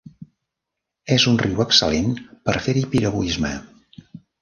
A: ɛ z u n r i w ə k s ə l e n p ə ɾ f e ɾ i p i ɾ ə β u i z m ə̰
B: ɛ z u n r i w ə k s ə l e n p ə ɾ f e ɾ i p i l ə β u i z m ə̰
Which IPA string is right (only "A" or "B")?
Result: A